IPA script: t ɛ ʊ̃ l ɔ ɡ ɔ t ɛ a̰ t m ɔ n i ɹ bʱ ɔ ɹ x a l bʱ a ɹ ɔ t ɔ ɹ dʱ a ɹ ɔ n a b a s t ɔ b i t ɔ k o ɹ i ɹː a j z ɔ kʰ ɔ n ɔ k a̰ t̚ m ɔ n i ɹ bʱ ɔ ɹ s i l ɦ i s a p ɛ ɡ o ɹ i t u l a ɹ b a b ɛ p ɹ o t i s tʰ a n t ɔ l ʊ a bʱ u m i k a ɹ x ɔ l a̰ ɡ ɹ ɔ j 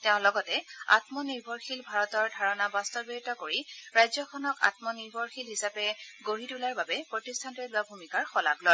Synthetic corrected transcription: t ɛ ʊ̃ l ɔ ɡ ɔ t ɛ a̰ t m ɔ n i ɹ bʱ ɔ ɹ x i l bʱ a ɹ ɔ t ɔ ɹ dʱ a ɹ ɔ n a b a s t ɔ b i t ɔ k o ɹ i ɹ a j z ɔ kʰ ɔ n ɔ k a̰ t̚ m ɔ n i ɹ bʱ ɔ ɹ x i l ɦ i s a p ɛ ɡ o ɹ i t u l a ɹ b a b ɛ p ɹ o t i s tʰ a n t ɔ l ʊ a bʱ u m i k a ɹ x ɔ l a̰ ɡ l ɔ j